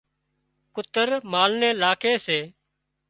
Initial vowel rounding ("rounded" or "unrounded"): rounded